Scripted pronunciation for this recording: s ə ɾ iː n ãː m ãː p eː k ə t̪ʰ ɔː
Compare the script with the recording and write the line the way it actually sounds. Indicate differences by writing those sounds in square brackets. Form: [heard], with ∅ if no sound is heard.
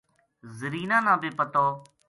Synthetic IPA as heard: [z] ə ɾ iː n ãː [n] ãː [b] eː [p] ə [t̪] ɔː